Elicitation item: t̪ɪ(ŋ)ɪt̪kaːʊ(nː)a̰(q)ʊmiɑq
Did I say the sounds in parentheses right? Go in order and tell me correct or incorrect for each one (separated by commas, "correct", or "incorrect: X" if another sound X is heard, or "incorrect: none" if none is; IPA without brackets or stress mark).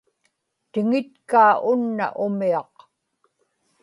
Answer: correct, correct, incorrect: ʔ